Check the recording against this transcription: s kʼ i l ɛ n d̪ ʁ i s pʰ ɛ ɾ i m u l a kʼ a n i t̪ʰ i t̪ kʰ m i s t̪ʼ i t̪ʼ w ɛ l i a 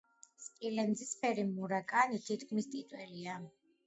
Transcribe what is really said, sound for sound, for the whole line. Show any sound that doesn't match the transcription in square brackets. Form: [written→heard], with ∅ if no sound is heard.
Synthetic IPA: s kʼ i l ɛ n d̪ [ʁ→z] i s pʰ ɛ ɾ i m u [l→ɾ] a kʼ a n i t̪ʰ i t̪ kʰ m i s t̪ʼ i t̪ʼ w ɛ l i a